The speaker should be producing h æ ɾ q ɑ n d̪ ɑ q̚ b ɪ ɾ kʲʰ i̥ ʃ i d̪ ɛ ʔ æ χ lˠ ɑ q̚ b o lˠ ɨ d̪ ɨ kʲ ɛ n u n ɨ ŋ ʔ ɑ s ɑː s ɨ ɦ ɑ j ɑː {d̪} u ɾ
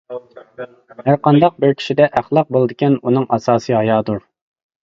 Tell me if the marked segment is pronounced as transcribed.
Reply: yes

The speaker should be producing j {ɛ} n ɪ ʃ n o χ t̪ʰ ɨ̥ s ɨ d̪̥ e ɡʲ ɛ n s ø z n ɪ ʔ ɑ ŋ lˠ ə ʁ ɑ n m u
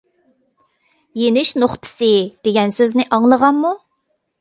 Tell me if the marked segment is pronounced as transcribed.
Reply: no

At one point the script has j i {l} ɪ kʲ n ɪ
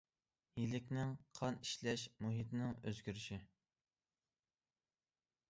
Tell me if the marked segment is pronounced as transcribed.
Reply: yes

